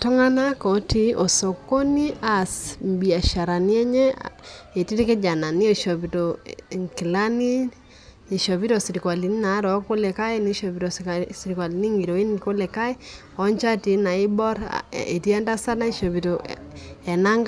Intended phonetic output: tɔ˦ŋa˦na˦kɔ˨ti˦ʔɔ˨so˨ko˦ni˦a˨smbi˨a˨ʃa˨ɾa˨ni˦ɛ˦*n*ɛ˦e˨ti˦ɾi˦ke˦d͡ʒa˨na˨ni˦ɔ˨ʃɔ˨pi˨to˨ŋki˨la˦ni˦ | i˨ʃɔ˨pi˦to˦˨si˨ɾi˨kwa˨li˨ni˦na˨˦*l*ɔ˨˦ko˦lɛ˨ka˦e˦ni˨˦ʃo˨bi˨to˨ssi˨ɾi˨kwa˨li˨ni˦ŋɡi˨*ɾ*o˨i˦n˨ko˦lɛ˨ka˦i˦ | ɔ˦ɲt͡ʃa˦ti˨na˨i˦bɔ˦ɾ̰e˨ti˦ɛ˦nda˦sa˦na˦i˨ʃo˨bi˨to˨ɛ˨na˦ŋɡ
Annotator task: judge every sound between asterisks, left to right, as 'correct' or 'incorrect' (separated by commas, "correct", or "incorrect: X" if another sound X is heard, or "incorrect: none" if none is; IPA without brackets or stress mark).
incorrect: ɲ, incorrect: ɾ, correct